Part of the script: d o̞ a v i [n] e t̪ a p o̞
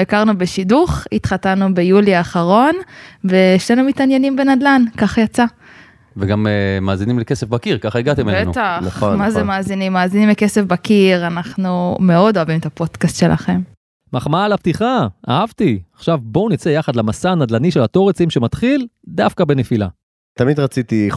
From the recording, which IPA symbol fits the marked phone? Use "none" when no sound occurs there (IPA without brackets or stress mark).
m